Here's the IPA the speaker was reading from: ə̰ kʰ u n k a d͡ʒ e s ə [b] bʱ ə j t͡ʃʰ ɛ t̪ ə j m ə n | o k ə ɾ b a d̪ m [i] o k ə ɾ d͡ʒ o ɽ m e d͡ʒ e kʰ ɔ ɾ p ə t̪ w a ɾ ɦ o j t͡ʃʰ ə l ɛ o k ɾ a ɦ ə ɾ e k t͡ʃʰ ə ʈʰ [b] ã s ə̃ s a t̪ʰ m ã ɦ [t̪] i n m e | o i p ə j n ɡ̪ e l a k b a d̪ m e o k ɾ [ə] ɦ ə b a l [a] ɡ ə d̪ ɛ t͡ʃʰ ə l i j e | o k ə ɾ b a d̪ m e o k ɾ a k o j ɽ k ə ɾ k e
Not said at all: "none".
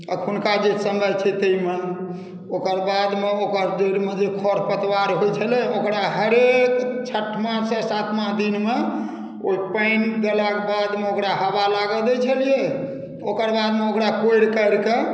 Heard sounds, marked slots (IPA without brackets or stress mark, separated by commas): m, e, m, d̪, a, a